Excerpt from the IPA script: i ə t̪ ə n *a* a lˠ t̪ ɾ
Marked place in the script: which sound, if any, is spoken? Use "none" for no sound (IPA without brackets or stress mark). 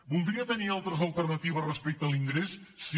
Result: i